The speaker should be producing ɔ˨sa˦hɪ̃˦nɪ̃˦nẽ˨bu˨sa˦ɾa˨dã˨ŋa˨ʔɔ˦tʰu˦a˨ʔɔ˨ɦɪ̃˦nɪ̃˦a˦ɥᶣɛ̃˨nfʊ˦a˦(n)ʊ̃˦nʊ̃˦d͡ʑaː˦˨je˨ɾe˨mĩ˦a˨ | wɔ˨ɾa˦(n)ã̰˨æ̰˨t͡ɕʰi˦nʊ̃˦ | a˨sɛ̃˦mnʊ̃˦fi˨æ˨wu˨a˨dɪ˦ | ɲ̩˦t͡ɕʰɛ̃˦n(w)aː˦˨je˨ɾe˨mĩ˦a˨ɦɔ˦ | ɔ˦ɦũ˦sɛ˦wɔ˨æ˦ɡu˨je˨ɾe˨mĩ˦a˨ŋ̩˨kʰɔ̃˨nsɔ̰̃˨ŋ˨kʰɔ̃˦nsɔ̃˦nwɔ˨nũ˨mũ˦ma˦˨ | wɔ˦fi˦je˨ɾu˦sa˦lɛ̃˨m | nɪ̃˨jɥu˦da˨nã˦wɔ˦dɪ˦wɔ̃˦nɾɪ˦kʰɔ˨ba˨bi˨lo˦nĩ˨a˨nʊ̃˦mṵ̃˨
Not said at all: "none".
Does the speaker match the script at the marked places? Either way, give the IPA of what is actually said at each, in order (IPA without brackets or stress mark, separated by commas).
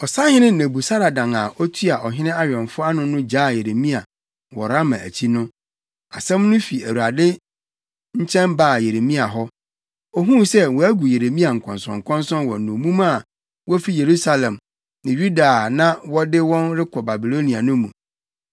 n, m, b